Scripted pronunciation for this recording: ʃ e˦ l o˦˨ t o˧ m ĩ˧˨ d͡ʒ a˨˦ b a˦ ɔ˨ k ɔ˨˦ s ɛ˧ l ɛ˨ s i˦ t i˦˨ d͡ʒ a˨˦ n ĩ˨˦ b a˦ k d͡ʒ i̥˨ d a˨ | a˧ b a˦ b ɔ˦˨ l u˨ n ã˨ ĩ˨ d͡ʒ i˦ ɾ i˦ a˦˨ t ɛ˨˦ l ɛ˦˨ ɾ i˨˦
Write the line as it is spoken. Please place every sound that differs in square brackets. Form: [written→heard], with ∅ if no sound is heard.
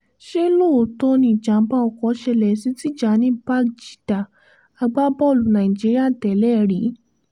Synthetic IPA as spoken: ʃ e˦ l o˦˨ t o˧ [m→n] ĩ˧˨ d͡ʒ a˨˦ b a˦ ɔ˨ k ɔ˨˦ [s→ʃ] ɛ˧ l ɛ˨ s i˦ t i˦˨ d͡ʒ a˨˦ n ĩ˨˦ b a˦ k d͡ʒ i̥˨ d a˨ | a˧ [b→ɡ͡b] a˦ b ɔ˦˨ l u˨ n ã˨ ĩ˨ d͡ʒ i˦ ɾ i˦ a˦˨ t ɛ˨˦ l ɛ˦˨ ɾ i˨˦

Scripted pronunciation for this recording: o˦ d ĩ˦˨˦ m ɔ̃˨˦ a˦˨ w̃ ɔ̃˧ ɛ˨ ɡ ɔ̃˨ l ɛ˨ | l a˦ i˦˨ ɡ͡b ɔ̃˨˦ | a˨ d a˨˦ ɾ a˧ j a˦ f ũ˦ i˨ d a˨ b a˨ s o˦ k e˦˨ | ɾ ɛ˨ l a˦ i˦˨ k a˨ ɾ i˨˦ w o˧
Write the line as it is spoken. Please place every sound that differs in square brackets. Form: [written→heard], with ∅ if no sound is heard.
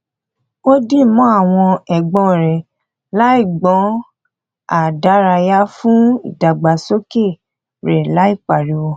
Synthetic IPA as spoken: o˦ d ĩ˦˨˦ m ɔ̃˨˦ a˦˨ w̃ ɔ̃˧ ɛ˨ [ɡ→ɡ͡b] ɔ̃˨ [l→ɾ] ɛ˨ | l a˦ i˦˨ ɡ͡b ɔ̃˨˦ | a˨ d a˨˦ ɾ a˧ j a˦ f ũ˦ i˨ d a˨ [b→ɡ͡b] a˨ s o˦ k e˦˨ | ɾ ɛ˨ l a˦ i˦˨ [k→k͡p] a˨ ɾ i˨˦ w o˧

